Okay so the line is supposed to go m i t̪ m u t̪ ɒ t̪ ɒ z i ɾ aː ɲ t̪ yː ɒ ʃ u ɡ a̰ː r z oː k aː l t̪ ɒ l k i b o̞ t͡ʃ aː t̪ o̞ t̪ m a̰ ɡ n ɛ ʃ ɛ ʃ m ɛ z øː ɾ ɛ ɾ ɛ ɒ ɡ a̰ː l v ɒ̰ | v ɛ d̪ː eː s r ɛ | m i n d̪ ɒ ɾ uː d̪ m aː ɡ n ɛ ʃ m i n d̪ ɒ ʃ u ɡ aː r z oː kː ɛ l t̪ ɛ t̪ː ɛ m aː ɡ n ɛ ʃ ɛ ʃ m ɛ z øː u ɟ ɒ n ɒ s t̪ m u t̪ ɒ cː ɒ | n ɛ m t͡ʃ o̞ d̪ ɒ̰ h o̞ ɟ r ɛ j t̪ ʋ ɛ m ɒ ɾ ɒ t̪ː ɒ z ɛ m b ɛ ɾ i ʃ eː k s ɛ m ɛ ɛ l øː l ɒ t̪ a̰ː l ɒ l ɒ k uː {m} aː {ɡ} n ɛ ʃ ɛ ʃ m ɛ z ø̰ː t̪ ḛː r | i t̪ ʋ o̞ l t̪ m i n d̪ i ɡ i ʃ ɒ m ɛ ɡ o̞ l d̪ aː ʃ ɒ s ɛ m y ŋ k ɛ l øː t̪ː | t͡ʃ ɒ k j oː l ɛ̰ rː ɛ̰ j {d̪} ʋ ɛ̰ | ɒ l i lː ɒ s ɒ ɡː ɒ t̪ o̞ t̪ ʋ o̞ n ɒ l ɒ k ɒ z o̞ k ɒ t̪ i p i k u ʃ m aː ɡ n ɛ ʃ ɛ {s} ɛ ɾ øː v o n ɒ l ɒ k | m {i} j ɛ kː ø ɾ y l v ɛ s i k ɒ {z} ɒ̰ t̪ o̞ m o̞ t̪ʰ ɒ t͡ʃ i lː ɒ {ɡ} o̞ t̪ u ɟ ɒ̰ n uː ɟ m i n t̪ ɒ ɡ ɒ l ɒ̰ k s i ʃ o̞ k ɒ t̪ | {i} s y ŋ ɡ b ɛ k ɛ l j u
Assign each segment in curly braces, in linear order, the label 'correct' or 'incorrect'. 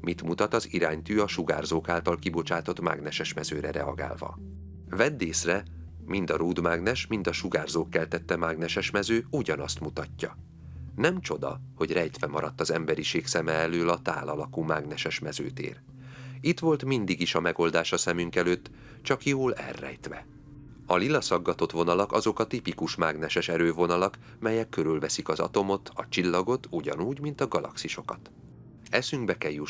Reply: correct, correct, incorrect: t̪, incorrect: ʃ, incorrect: ɛ, correct, correct, incorrect: ɛ

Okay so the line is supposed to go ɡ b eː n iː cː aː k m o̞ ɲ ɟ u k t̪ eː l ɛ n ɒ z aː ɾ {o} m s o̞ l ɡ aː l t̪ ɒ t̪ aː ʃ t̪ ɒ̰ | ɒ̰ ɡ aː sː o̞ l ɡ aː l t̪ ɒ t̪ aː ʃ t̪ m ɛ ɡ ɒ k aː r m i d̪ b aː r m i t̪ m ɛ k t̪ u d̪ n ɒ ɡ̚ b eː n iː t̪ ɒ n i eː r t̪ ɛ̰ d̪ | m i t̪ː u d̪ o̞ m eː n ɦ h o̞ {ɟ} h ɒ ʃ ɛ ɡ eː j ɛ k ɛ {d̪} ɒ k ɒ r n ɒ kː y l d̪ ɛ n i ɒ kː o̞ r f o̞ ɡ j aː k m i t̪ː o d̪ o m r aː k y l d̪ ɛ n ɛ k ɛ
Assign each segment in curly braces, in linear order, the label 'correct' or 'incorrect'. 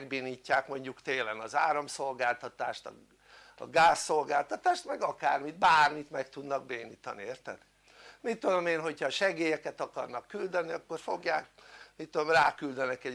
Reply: incorrect: ɒ, incorrect: c, incorrect: t̪

